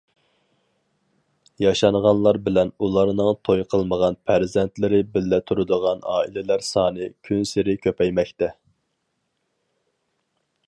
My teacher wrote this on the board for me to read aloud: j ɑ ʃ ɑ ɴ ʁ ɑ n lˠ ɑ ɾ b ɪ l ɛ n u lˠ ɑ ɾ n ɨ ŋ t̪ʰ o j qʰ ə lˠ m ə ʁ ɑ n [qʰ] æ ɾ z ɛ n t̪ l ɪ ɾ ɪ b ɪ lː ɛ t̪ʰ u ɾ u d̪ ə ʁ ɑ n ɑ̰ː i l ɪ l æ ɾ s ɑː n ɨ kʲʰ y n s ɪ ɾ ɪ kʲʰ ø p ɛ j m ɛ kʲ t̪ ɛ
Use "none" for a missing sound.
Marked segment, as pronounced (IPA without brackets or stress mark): pʰ